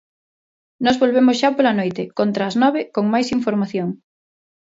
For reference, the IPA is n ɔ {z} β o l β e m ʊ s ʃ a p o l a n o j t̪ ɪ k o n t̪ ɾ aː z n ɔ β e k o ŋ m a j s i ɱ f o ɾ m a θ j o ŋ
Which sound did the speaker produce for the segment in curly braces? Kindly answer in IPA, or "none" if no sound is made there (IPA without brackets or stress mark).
z